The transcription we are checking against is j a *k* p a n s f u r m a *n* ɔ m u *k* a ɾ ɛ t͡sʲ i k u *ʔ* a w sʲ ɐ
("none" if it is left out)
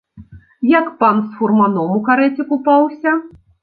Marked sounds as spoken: k, n, k, p

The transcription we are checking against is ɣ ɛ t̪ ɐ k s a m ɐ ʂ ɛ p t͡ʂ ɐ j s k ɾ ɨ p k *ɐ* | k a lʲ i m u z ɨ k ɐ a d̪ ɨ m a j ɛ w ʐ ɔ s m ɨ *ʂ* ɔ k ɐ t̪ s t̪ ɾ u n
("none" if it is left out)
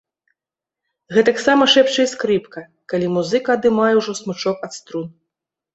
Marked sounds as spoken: ɐ, t͡ʂ

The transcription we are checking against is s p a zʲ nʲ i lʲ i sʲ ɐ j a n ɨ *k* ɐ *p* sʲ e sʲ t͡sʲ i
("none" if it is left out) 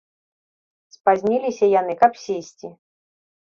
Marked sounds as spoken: k, p

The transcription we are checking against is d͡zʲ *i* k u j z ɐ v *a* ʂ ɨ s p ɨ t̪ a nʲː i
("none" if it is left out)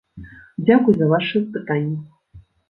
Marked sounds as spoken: a, a

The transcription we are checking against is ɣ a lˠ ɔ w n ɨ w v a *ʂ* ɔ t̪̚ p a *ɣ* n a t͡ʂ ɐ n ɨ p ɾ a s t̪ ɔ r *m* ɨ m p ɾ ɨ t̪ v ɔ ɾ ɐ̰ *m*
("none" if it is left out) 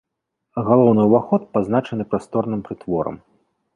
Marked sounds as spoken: x, z, n, m

